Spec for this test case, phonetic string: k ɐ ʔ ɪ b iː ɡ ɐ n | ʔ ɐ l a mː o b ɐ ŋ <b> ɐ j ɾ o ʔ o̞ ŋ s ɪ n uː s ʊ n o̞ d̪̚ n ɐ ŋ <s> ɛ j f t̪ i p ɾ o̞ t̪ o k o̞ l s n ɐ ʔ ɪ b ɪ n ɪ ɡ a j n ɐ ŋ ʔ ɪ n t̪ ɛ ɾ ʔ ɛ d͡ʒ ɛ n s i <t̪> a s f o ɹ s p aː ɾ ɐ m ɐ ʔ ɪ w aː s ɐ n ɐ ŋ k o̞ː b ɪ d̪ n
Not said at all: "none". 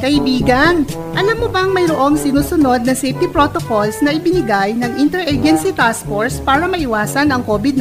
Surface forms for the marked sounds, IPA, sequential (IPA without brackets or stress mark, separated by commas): m, s, t̪